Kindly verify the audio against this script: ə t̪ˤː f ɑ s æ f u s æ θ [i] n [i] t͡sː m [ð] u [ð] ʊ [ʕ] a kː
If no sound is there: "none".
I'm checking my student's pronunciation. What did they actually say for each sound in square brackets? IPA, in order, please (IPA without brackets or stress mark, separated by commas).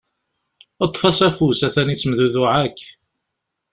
æ, i, ð, ð, ʕ